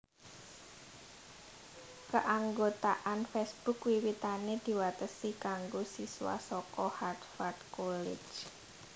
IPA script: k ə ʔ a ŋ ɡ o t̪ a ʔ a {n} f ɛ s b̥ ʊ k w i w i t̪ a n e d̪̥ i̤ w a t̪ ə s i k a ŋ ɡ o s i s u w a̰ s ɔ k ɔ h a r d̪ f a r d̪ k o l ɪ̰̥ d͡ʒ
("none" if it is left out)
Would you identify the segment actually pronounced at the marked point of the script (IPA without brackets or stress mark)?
n